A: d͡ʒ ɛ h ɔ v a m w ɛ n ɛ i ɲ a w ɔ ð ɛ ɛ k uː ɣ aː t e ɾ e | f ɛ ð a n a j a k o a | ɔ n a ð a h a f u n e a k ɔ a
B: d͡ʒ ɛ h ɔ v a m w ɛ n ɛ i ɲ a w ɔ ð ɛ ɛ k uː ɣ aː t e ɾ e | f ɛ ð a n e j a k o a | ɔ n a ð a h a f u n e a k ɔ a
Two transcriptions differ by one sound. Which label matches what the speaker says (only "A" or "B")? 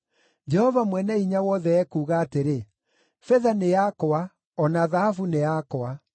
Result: B